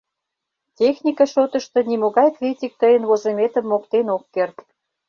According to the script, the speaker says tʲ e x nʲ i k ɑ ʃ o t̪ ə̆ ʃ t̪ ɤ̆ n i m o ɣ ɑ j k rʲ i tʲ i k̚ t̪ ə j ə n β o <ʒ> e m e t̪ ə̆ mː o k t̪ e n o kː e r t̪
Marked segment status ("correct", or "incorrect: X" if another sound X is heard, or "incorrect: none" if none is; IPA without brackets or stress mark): incorrect: z